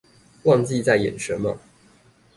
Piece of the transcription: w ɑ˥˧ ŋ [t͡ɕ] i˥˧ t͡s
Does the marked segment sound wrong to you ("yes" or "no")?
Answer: no